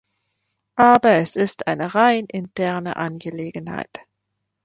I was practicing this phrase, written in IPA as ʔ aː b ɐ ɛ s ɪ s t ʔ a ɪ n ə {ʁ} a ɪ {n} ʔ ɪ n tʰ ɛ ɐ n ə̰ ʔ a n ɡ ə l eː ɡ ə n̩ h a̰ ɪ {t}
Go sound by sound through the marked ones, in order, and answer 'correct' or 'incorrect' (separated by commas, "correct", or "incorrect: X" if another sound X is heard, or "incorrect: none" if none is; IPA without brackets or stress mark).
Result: correct, correct, correct